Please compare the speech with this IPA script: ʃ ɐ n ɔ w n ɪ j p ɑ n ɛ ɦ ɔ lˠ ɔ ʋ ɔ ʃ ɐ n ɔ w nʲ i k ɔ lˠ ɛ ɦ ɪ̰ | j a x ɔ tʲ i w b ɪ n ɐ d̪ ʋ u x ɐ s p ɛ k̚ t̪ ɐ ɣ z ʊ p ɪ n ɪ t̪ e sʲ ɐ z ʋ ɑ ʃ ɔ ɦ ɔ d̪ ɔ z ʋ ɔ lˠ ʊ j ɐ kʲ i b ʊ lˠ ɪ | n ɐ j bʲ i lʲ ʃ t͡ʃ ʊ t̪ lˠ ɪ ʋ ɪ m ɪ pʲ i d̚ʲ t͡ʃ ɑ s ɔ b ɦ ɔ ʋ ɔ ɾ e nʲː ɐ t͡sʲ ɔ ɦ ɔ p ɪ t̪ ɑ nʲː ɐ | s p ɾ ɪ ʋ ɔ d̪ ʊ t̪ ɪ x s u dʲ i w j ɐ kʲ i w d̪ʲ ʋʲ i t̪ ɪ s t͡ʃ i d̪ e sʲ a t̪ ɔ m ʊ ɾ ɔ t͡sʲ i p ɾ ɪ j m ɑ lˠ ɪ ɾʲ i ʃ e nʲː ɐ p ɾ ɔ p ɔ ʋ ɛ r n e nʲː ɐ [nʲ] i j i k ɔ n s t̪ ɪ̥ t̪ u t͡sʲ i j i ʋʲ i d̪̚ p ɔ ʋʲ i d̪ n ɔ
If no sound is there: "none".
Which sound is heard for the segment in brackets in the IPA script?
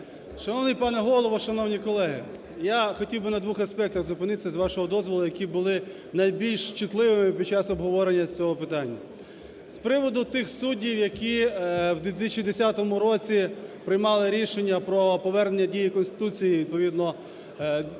dʲ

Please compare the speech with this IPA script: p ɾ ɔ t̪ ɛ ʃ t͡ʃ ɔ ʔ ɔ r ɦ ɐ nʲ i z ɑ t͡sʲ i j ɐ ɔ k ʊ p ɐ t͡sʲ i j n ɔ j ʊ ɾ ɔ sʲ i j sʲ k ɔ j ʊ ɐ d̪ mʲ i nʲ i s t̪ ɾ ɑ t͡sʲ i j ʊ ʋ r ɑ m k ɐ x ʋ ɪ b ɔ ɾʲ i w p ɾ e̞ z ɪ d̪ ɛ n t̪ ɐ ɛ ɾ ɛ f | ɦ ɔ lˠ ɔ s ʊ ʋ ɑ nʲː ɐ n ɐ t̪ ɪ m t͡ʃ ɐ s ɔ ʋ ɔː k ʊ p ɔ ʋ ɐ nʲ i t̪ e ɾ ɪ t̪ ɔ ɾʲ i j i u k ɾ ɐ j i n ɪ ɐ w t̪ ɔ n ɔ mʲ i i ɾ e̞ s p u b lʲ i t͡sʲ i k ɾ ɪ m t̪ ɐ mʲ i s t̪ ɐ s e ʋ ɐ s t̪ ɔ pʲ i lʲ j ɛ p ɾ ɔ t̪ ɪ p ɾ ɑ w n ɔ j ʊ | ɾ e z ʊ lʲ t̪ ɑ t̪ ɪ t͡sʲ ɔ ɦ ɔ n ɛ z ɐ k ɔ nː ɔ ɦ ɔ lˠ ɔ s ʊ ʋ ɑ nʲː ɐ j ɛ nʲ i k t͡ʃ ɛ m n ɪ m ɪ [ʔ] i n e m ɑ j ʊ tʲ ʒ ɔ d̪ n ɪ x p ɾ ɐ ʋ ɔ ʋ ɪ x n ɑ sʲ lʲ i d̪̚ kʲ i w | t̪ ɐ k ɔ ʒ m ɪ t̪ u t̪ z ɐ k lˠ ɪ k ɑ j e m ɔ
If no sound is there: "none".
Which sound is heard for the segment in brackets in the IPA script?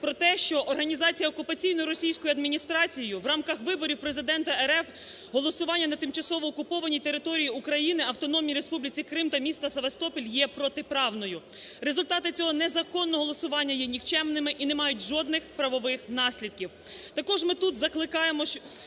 ʔ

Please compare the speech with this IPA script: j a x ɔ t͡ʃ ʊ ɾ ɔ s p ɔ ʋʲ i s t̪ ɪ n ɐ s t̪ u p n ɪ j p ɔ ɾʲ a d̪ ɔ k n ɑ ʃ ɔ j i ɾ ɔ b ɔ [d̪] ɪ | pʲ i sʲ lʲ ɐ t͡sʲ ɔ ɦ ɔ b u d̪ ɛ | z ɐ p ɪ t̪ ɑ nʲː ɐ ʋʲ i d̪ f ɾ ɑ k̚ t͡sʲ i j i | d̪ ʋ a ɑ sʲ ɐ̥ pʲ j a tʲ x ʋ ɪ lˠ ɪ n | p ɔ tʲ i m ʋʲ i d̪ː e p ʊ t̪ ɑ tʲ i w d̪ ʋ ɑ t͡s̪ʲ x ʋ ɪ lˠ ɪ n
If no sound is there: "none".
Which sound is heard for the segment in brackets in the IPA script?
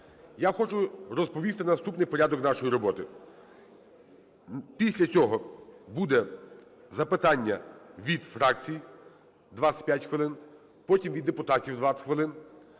t̪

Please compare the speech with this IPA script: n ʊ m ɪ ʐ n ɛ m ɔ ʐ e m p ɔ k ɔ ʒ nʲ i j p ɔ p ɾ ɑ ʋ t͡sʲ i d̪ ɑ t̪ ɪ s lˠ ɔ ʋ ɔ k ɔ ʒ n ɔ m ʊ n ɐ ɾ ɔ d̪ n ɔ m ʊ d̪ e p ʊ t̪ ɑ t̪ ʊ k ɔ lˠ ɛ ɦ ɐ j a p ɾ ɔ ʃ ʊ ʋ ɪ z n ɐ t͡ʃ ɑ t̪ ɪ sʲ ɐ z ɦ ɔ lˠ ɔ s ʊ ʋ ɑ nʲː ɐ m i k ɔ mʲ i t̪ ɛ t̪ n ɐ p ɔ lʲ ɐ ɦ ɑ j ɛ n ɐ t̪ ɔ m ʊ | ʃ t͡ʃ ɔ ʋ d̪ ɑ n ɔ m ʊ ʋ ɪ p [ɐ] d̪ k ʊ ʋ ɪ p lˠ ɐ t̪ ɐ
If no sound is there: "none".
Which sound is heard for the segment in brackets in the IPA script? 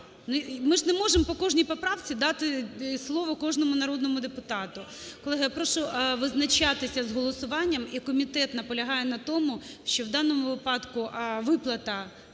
ɑ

